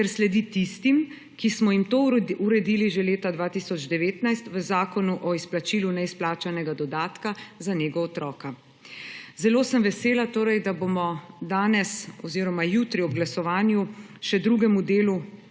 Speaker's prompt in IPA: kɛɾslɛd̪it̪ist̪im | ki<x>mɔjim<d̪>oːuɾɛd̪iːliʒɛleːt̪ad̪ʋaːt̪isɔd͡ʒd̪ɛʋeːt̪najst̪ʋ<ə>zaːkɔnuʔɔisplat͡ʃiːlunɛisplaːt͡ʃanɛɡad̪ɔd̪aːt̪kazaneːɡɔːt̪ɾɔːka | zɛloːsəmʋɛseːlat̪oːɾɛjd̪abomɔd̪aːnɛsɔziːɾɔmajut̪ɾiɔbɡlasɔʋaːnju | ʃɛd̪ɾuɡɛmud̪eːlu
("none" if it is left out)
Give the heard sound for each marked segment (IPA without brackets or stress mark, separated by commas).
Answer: s, t̪, ə